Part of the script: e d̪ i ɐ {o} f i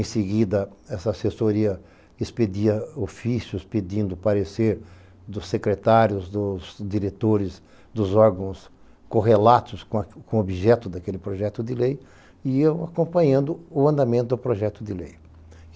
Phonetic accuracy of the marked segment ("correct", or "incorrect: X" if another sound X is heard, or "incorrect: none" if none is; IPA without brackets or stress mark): correct